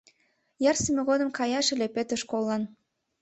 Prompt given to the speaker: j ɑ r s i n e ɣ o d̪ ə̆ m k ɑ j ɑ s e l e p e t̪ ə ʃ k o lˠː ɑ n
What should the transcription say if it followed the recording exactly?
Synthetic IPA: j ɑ r s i m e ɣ o d̪ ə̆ m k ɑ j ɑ ʃ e l e p e t̪ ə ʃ k o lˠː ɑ n